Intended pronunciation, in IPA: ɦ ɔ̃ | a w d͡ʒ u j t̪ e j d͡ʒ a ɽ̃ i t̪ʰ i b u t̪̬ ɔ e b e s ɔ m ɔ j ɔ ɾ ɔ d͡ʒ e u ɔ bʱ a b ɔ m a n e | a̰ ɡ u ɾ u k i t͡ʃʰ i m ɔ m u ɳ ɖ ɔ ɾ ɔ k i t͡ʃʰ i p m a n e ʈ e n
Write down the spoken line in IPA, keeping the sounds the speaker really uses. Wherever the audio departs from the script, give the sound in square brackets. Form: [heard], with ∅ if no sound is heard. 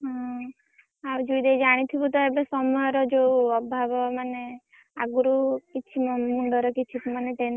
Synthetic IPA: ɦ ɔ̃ | a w d͡ʒ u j [d̪] e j d͡ʒ a ɽ̃ i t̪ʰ i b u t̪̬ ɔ e b e s ɔ m ɔ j ɔ ɾ ɔ d͡ʒ e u ɔ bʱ a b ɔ m a n e | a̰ ɡ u ɾ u k i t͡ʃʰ i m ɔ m u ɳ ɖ ɔ ɾ ɔ k i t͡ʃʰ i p m a n e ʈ e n